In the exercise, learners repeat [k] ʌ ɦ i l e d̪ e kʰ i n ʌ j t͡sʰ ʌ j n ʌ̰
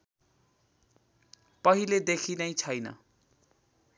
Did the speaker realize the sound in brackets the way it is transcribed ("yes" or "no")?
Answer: no